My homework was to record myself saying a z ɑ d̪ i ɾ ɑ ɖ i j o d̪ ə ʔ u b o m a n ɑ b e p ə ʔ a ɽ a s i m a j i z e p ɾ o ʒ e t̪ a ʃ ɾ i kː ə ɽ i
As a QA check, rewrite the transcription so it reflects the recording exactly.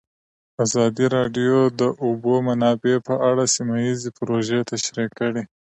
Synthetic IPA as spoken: a z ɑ d̪ i ɾ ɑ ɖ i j o d̪ ə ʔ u b o m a n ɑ b e p ə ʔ a ɽ a s i m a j i z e p ɾ o ʒ e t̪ a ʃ ɾ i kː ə ɽ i

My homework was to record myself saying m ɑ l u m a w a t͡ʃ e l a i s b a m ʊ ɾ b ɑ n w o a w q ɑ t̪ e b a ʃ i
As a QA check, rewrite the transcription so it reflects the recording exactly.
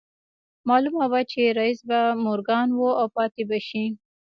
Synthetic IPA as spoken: m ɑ l u m a w a t͡ʃ e ɾ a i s b a m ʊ ɾ ɡ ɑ n w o a w p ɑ t̪ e b a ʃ i

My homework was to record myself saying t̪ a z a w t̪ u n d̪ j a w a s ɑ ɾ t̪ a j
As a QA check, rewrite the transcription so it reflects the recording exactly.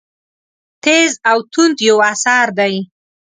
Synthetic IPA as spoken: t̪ e z a w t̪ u n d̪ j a w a s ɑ ɾ d̪ a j

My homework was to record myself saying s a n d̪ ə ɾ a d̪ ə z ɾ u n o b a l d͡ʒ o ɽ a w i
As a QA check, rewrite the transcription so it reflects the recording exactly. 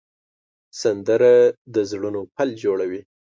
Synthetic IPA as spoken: s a n d̪ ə ɾ a d̪ ə z ɽ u n o p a l d͡ʒ o ɽ a w i

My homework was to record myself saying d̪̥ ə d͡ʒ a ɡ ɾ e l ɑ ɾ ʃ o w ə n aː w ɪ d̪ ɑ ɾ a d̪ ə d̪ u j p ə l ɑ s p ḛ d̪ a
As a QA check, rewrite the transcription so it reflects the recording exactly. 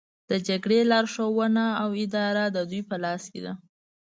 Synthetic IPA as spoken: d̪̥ ə d͡ʒ a ɡ ɽ e l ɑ ɾ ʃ o w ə n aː w ɪ d̪ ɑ ɾ a d̪ ə d̪ u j p ə l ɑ s k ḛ d̪ a

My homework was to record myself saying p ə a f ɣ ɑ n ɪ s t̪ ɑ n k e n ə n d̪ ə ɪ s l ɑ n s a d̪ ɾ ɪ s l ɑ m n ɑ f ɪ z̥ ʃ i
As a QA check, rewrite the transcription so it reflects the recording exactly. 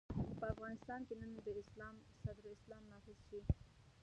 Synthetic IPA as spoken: p ə a f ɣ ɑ n ɪ s t̪ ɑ n k e n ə n d̪ ə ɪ s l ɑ m s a d̪ ɾ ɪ s l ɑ m n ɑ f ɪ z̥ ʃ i

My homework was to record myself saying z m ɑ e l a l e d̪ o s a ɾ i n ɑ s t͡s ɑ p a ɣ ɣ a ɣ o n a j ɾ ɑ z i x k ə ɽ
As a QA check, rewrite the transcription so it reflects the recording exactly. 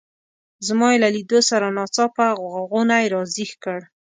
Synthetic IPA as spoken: z m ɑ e l a l i d̪ o s a ɾ a n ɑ t͡s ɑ p a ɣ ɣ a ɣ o n a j ɾ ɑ z i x k ə ɽ

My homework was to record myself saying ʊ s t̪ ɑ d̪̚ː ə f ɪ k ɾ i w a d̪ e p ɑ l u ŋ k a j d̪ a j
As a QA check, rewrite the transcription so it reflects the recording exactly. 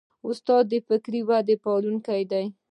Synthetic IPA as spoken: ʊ s t̪ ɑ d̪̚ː ə f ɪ k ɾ i w a d̪ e p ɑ l u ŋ k a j d̪ a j

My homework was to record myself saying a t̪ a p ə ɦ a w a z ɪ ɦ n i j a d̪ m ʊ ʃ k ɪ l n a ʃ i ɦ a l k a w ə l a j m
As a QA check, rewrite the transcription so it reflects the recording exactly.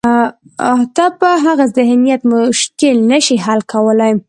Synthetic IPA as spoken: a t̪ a p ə ɦ a ɣ a z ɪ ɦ n i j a t̪ m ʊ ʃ k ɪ l n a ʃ i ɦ a l k a w ə l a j m

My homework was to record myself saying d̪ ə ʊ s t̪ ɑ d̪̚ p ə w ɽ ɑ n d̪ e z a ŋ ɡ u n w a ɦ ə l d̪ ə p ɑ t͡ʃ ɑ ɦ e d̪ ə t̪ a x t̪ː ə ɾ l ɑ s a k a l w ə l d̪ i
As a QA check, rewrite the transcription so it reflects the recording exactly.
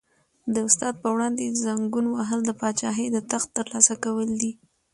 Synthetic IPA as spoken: d̪ ə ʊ s t̪ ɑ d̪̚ p ə w ɽ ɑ n d̪ e z a ŋ ɡ u n w a ɦ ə l d̪ ə p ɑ t͡ʃ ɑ ɦ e d̪ ə t̪ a x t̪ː ə ɾ l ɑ s a k a w ə l d̪ i

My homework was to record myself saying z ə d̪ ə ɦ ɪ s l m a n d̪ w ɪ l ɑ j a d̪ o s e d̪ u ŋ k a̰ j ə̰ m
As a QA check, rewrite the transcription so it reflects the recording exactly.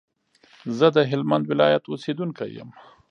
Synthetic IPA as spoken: z ə d̪ ə ɦ ɪ l m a n d̪ w ɪ l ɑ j a t̪ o s e d̪ u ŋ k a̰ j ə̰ m

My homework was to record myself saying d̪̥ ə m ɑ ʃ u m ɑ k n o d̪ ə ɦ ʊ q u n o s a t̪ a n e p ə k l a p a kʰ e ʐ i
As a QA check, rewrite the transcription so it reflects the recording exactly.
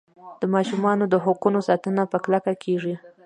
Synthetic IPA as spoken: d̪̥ ə m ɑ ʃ u m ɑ n o d̪ ə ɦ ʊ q u n o s ɑ t̪ ə n a p ə k l a k a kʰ e ʐ i

